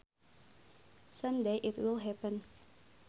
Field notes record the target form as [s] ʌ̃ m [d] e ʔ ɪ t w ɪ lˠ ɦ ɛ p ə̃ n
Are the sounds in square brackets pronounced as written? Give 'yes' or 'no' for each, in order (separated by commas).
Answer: yes, yes